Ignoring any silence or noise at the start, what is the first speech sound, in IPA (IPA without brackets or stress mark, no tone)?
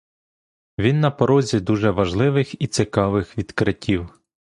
ʋʲ